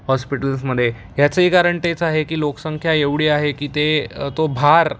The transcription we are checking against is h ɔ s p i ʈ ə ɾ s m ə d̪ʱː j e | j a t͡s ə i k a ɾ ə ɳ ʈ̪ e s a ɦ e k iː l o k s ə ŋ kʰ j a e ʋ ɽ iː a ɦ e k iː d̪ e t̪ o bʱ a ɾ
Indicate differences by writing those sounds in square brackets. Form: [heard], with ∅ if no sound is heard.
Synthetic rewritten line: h ɔ s p i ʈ ə [l] s m ə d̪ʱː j e | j a t͡s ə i k a ɾ ə ɳ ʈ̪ e [t͡s] a ɦ e k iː l o k s ə ŋ kʰ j a e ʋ ɽ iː a ɦ e k iː [t̪] e t̪ o bʱ a ɾ